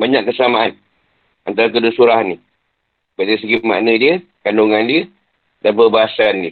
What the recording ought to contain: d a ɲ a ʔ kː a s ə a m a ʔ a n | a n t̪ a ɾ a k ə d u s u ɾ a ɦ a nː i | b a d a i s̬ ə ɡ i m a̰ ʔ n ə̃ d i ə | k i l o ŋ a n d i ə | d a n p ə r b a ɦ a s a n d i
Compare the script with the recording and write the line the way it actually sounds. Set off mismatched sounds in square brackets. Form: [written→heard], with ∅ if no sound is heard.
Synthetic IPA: [d→b] a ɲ a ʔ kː [a→ə] s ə a m a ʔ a n | a n t̪ a ɾ a k ə d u s u ɾ a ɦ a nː i | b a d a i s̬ ə ɡ i m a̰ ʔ n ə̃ d i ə | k [i→a] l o ŋ a n d i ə | d a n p ə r b a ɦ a s a n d i